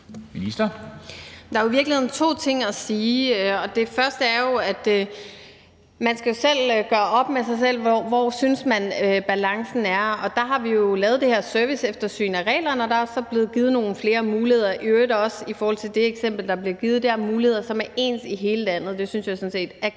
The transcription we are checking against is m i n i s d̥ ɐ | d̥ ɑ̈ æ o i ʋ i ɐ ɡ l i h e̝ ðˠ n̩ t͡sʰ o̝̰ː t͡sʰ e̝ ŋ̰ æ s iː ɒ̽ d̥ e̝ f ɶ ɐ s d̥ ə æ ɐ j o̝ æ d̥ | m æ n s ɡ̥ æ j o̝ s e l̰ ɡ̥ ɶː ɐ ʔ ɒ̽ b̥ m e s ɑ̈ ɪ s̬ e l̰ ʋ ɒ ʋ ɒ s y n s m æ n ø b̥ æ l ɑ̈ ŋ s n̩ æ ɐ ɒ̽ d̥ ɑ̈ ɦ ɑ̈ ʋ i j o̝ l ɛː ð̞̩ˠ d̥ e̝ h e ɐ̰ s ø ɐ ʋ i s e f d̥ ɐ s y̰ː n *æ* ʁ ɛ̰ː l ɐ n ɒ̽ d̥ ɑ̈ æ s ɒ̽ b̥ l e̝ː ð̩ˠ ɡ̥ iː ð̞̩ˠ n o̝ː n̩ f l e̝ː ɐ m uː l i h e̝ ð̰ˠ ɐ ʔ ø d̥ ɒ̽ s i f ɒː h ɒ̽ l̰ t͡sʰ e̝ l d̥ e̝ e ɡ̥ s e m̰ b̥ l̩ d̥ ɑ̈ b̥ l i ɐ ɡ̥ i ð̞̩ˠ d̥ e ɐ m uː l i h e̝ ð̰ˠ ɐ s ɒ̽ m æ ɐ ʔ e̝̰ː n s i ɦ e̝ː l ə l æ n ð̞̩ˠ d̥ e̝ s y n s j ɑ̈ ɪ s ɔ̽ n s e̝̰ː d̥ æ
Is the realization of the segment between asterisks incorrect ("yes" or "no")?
no